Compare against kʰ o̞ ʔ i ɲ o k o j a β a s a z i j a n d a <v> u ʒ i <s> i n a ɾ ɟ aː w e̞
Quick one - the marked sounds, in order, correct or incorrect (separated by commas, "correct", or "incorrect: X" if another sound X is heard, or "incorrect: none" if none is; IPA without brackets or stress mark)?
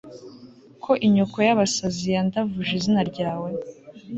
correct, incorrect: z